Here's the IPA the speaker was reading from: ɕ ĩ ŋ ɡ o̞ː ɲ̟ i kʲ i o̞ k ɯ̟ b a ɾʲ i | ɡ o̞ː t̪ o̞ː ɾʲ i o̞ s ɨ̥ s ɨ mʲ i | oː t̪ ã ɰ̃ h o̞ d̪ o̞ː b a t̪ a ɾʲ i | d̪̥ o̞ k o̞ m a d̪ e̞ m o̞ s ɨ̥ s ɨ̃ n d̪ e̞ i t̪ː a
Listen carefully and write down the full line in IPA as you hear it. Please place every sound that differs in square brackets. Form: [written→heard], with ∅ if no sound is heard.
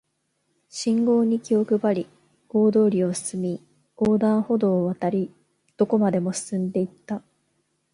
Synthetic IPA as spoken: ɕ ĩ ŋ ɡ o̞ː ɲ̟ i kʲ i o̞ k ɯ̟ b a ɾʲ i | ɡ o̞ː [t̪→d̪] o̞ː ɾʲ i o̞ s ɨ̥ s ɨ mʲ i | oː [t̪→d̪] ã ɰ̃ h o̞ d̪ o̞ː [b→β] a t̪ a ɾʲ i | d̪̥ o̞ k o̞ m a d̪ e̞ m o̞ s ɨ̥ s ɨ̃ n d̪ e̞ i t̪ː a